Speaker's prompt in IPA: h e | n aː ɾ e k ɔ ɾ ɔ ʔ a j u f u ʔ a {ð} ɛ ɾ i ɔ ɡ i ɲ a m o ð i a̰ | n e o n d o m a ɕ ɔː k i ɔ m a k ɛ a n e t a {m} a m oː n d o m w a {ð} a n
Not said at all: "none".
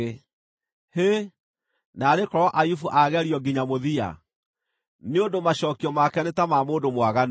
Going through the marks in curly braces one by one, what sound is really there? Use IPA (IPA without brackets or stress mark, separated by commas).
ɣ, m, ɣ